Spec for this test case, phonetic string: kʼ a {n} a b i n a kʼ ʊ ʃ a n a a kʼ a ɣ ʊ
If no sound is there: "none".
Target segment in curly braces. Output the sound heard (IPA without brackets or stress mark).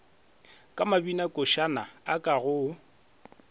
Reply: m